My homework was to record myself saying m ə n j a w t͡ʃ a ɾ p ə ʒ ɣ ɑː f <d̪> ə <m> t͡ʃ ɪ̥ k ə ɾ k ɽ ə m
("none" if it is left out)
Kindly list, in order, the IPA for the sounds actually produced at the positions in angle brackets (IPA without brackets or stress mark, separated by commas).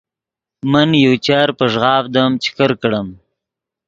d̪, m